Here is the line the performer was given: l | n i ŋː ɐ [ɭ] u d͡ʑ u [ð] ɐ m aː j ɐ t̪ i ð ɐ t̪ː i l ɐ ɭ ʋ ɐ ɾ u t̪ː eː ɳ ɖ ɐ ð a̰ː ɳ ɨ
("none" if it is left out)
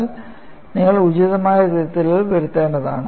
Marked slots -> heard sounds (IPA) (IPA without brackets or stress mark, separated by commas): ɭ, ð